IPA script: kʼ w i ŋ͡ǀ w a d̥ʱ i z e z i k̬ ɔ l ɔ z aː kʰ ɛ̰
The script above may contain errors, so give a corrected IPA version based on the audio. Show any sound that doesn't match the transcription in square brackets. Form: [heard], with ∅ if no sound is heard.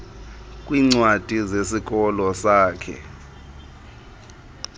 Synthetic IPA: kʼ w i ŋ͡ǀ w a d̥ʱ i z e [s] i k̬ ɔ l ɔ [s] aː kʰ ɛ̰